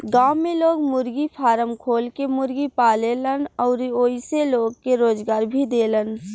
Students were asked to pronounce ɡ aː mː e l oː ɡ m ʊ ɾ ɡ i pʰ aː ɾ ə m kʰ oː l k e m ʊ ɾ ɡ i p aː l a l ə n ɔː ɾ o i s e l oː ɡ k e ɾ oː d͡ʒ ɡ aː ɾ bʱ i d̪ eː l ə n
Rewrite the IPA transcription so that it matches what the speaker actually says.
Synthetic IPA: ɡ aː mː e l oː ɡ m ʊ ɾ ɡ i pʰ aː ɾ ə m kʰ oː l k e m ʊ ɾ ɡ i p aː l e l ə n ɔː ɾ o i s e l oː ɡ k e ɾ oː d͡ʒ ɡ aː ɾ bʱ i d̪ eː l ə n